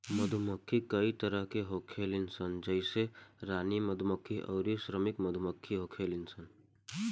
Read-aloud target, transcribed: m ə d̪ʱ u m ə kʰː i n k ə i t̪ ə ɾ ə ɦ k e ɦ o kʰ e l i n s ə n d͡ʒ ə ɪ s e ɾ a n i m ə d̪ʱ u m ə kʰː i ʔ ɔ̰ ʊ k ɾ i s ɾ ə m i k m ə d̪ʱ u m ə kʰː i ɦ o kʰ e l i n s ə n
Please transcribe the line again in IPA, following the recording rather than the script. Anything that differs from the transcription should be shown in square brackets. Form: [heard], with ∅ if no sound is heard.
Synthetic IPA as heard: m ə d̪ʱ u m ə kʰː i [∅] k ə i t̪ ə ɾ ə ɦ k e ɦ o kʰ e l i n s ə n d͡ʒ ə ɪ s e ɾ a n i m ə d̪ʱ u m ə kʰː i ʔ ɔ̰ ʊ [∅] ɾ i s ɾ ə m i k m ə d̪ʱ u m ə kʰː i ɦ o kʰ e l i n s ə n

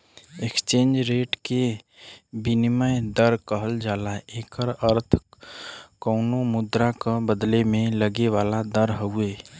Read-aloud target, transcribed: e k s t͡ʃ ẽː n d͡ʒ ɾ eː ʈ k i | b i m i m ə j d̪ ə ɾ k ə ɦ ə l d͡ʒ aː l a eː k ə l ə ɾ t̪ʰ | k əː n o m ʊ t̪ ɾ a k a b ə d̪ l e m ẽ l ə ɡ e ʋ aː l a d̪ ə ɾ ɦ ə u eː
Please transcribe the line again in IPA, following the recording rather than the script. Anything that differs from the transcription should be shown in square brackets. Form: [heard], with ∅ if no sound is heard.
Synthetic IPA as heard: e k s t͡ʃ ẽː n d͡ʒ ɾ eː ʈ k [e] | b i [n] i m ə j d̪ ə ɾ k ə ɦ ə l d͡ʒ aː l a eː k ə [ɾ] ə ɾ t̪ʰ | k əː n o m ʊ [d̪] ɾ a k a b ə d̪ l e m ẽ l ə ɡ e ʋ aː l a d̪ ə ɾ ɦ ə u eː

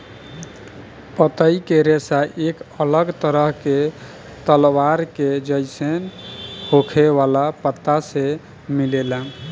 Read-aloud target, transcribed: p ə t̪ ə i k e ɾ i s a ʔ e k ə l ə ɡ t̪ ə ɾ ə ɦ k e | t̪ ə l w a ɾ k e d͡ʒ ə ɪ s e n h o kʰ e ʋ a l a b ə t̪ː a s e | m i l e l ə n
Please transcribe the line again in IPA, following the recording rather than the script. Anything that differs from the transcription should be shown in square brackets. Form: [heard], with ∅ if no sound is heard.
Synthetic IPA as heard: p ə t̪ ə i k e ɾ [e] s a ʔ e k ə l ə ɡ t̪ ə ɾ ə ɦ k e | t̪ ə l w a ɾ k e d͡ʒ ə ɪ s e n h o kʰ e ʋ a l a [p] ə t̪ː a s e | m i l e l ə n

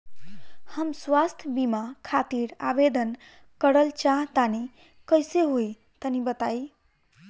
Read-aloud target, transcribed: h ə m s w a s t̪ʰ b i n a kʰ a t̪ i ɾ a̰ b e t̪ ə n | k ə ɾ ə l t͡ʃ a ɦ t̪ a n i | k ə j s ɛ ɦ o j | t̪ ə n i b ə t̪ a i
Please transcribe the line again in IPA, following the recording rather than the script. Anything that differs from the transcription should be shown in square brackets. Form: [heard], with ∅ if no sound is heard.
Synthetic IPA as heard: h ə m s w a s t̪ʰ b i [m] a kʰ a t̪ i ɾ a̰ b e [d̪] ə n | k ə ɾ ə l t͡ʃ a ɦ t̪ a n i | k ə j s [e] ɦ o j | t̪ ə n i b ə t̪ a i

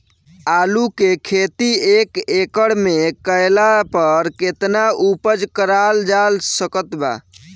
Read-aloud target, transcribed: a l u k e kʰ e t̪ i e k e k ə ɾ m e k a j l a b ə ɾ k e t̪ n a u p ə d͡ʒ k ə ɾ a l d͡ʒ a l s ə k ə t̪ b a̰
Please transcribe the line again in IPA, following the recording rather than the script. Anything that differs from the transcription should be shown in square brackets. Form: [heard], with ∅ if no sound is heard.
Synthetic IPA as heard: a l u k e kʰ e t̪ i e k e k ə [ɽ] m e k [ə] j l a [p] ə ɾ k e t̪ n a u p ə d͡ʒ k ə ɾ a l d͡ʒ a l s ə k ə t̪ b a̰

